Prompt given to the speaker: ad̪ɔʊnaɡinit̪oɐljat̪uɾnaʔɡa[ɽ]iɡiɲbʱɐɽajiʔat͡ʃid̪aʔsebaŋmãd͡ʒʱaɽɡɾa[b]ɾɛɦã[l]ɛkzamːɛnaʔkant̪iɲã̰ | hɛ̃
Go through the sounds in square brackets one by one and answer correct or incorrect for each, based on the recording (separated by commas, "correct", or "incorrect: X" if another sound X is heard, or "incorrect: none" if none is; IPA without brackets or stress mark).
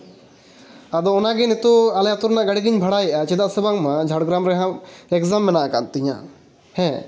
correct, incorrect: m, incorrect: none